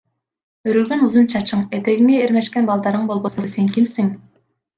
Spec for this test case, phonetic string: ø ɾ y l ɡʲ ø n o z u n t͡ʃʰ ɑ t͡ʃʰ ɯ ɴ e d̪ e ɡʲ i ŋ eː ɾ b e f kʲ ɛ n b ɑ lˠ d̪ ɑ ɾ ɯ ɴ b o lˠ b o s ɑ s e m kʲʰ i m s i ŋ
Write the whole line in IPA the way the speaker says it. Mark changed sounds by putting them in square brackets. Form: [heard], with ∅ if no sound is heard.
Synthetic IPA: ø ɾ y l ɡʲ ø n [u] z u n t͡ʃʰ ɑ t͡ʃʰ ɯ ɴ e [t̪] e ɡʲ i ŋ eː ɾ [m] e [ʃ] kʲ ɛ n b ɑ lˠ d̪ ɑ ɾ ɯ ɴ b o lˠ b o s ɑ s e [ŋ] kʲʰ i m s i ŋ